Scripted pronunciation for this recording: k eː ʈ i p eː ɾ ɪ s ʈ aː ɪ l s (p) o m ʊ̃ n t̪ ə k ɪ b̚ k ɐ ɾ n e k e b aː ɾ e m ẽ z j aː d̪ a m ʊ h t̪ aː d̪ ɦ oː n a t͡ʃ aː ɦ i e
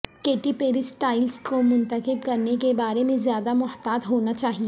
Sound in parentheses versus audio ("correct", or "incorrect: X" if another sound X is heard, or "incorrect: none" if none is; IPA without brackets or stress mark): incorrect: k